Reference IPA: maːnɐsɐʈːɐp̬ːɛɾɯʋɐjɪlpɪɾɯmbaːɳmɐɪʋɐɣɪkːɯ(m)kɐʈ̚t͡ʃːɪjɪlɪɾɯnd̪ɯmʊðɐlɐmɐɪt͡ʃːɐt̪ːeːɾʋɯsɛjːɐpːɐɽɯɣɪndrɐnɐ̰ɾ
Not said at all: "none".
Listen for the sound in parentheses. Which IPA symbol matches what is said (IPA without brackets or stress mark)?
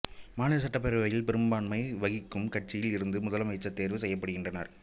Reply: m